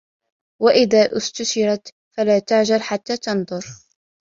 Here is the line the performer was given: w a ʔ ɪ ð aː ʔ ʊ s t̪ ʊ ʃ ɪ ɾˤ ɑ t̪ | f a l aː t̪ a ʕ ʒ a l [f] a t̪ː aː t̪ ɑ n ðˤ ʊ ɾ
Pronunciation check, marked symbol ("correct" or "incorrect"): incorrect